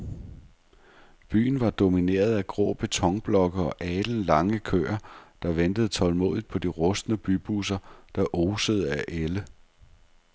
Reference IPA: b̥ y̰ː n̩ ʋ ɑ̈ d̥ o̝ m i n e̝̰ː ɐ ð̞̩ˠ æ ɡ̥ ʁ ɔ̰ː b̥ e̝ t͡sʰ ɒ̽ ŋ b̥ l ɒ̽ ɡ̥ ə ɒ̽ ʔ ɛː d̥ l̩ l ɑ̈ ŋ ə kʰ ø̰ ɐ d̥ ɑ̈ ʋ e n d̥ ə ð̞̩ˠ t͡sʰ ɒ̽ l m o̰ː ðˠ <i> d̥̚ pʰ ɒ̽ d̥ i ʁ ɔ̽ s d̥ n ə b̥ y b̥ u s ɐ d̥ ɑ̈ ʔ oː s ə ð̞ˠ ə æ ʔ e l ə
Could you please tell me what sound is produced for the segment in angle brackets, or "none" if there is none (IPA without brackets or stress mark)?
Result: i